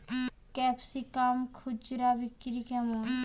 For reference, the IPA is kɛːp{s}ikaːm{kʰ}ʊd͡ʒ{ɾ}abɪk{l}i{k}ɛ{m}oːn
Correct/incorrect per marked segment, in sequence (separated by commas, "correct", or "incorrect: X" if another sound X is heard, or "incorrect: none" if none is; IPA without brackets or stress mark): correct, correct, correct, incorrect: ɾ, correct, correct